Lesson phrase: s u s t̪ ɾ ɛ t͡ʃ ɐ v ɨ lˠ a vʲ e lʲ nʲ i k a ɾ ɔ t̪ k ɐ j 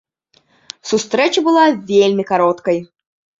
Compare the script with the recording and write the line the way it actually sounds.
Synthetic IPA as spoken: s u s t̪ ɾ ɛ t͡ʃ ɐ b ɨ lˠ a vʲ e lʲ mʲ i k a ɾ ɔ t̪ k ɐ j